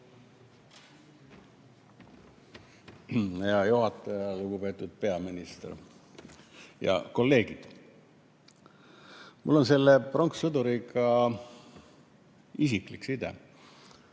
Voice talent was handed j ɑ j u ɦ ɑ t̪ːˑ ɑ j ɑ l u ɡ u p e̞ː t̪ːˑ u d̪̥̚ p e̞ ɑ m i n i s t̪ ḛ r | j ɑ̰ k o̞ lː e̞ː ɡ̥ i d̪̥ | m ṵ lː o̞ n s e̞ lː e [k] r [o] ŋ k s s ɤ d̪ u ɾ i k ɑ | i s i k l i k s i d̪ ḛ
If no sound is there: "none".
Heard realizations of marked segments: p, o

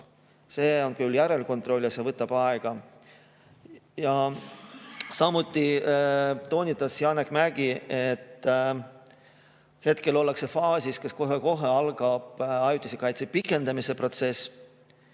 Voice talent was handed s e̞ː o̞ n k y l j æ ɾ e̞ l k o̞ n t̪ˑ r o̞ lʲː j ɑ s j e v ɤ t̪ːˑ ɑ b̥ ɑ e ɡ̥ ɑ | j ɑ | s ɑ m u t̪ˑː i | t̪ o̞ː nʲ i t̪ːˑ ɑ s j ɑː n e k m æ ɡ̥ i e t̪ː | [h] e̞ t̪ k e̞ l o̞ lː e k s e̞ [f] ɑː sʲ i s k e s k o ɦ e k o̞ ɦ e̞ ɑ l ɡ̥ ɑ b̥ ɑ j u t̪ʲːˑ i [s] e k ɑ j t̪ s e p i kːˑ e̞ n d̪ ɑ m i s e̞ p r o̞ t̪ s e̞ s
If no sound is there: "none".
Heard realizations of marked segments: h, f, s

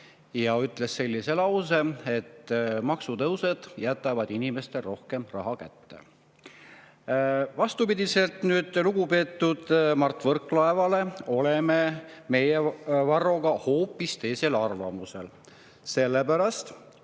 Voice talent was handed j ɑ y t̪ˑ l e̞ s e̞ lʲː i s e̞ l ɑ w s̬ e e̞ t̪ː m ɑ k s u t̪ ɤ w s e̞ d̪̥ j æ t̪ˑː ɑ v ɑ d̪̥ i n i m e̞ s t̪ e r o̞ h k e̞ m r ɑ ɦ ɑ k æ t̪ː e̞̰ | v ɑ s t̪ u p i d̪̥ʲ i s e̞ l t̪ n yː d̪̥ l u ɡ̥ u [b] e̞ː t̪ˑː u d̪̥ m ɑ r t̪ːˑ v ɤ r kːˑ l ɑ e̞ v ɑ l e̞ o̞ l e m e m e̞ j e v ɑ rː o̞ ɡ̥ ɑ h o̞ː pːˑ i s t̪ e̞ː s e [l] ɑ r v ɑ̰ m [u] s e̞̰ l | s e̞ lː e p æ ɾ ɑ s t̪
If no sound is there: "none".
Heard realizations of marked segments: p, l, u

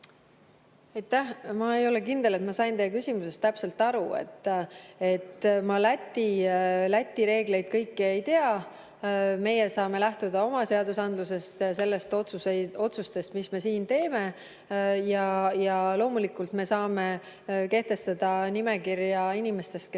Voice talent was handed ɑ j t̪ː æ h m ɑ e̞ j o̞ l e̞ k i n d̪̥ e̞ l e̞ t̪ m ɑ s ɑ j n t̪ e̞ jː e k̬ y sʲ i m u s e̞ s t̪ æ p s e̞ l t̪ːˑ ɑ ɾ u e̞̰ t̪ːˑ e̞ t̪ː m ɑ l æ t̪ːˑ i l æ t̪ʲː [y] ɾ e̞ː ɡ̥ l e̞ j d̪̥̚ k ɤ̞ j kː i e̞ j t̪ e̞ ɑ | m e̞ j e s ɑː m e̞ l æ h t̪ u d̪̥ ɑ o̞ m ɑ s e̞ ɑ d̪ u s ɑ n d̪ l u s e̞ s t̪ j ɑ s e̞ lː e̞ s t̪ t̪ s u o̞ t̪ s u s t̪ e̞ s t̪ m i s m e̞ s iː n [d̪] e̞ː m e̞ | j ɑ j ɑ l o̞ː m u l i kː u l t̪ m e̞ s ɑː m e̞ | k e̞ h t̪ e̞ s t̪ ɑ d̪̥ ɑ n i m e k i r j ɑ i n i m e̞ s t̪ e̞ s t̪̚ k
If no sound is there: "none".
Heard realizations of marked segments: i, t̪

